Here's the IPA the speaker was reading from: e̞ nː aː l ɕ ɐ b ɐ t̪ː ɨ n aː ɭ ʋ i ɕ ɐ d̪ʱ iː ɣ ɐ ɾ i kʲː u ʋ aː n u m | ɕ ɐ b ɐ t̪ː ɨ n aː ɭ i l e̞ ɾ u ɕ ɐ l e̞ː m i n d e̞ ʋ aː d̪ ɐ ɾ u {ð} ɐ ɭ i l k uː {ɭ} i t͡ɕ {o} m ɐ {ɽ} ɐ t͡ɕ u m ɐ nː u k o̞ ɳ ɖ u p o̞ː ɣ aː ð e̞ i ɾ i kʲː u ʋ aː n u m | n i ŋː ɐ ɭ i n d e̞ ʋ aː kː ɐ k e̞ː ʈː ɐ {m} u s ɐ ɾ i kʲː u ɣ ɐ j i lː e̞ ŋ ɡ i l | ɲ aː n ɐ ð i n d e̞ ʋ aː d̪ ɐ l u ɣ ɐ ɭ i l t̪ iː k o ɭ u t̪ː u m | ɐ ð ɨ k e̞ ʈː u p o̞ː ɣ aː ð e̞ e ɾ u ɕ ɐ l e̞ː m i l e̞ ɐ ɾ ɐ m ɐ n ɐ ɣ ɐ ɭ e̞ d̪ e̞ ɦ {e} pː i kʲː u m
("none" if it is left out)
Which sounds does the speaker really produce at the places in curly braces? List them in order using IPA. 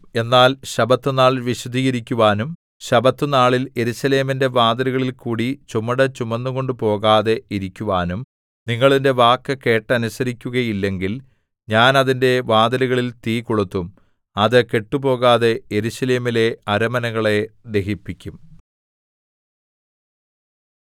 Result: ɣ, ɽ, u, ɽ, n, i

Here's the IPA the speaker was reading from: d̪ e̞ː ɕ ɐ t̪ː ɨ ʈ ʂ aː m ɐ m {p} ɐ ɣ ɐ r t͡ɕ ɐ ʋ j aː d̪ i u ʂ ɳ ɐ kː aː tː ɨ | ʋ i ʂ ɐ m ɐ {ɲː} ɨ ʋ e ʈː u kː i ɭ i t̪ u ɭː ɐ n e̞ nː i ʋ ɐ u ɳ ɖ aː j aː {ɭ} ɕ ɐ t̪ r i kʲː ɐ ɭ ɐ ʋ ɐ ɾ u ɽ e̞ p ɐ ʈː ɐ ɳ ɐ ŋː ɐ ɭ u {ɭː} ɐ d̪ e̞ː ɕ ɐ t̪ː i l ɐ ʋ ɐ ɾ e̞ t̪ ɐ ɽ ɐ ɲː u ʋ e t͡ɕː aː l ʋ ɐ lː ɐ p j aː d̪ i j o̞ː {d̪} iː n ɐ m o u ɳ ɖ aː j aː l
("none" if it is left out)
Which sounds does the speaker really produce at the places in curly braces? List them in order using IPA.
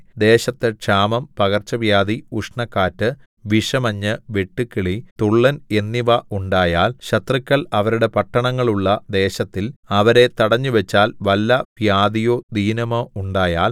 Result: p, ɲː, l, ɭː, d̪

